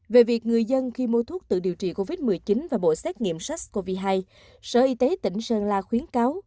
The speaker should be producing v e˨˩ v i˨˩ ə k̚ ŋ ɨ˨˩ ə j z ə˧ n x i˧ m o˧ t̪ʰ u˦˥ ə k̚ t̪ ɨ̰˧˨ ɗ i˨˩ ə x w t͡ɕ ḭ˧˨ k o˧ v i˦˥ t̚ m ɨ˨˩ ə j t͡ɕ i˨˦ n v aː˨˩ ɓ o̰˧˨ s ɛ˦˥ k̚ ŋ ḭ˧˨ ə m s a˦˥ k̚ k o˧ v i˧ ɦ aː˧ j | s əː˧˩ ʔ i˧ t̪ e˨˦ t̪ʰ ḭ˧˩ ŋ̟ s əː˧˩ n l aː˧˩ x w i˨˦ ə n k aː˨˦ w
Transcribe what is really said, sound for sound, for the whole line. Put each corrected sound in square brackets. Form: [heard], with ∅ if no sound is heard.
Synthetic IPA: v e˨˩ v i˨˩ ə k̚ ŋ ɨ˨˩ ə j z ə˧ n x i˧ m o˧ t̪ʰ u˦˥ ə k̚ t̪ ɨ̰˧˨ ɗ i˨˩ ə [∅] w t͡ɕ ḭ˧˨ k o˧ v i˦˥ t̚ m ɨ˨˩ ə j t͡ɕ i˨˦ n v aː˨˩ ɓ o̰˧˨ s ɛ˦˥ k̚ ŋ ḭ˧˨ ə m s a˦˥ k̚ k o˧ v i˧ ɦ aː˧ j | s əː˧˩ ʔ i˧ t̪ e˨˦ [t̪] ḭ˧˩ ŋ̟ s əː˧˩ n l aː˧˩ x w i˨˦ ə n k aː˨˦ w